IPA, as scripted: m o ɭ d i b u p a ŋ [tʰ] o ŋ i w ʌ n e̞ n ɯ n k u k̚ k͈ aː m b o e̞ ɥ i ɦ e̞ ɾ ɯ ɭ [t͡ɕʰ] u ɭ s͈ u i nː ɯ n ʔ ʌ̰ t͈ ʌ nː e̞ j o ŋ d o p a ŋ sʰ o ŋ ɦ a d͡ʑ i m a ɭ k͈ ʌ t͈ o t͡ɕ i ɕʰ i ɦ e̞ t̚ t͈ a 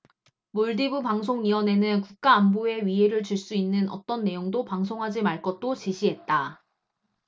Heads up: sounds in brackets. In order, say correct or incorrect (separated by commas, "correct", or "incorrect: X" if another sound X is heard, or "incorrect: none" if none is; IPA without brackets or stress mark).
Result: incorrect: sʰ, incorrect: t͡ɕ